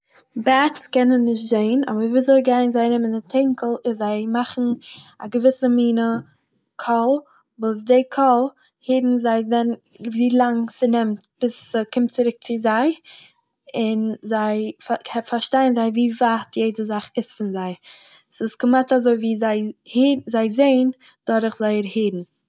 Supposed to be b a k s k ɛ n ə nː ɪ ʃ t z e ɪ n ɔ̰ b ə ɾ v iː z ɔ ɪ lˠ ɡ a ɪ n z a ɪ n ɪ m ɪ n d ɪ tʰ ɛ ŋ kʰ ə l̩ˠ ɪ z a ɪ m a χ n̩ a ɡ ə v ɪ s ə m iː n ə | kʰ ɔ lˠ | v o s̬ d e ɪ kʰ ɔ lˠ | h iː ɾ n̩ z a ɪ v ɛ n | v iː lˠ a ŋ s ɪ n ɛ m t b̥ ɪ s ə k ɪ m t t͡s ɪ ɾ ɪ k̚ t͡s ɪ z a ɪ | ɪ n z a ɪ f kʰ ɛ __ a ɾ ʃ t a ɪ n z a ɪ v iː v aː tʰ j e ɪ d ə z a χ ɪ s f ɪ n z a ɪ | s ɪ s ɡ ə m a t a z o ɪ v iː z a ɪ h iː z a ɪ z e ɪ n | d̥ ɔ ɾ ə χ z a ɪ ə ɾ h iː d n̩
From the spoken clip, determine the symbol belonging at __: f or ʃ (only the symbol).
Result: f